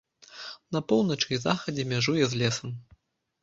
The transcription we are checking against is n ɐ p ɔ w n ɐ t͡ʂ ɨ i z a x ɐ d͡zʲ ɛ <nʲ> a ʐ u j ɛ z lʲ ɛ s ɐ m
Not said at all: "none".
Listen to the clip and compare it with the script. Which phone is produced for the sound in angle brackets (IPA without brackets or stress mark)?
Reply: mʲ